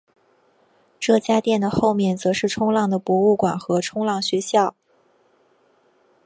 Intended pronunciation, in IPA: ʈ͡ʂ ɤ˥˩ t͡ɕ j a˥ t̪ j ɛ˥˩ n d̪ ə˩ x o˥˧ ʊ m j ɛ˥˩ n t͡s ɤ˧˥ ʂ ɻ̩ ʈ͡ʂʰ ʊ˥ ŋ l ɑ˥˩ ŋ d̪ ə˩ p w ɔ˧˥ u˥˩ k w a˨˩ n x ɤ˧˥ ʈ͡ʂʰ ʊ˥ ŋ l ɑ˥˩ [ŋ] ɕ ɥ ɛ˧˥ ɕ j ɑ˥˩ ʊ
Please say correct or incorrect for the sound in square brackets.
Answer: correct